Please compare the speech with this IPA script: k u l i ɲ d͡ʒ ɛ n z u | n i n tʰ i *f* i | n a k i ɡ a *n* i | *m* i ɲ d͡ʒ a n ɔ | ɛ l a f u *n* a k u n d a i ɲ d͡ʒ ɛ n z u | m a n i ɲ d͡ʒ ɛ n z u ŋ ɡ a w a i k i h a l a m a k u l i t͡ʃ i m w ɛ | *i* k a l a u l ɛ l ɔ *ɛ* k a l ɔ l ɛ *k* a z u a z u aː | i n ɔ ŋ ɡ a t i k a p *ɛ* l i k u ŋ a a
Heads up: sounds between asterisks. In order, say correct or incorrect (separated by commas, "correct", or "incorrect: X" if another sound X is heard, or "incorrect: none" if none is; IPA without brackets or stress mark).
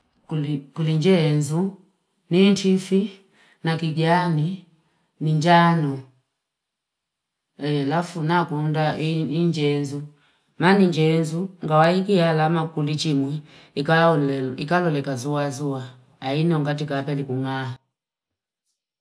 correct, correct, incorrect: n, correct, correct, incorrect: i, correct, correct